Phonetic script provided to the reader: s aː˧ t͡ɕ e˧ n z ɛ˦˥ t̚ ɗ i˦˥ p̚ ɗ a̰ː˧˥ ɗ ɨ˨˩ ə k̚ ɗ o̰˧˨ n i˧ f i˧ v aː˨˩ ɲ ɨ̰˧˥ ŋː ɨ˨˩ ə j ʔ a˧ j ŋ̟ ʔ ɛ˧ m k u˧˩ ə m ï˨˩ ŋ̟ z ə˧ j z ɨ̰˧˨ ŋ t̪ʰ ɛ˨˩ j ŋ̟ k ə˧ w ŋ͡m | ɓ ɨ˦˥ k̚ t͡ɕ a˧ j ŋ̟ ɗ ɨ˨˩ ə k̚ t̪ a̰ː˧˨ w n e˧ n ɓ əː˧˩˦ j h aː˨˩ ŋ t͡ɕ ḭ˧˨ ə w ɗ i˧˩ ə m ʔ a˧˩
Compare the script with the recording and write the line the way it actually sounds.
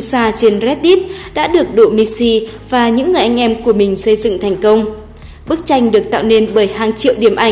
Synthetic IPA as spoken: s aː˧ t͡ɕ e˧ n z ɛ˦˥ t̚ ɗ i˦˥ t̚ ɗ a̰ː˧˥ ɗ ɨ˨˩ ə k̚ ɗ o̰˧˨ m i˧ s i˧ v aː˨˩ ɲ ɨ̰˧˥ ŋː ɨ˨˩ ə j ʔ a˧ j ŋ̟ ʔ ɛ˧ m k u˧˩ ə m ï˨˩ ŋ̟ s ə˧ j z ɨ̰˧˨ ŋ t̪ʰ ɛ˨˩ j ŋ̟ k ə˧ w ŋ͡m | ɓ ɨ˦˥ k̚ t͡ɕ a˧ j ŋ̟ ɗ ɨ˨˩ ə k̚ t̪ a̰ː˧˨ w n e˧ n ɓ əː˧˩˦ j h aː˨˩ ŋ t͡ɕ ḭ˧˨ ə w ɗ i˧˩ ə m ʔ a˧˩